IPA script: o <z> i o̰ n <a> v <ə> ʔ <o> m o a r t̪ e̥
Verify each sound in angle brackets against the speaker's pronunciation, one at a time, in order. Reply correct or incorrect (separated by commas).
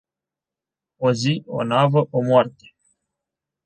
correct, correct, correct, correct